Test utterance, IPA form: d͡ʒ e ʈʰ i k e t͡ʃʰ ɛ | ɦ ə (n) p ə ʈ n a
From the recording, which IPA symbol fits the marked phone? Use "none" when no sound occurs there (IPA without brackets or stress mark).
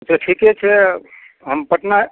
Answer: m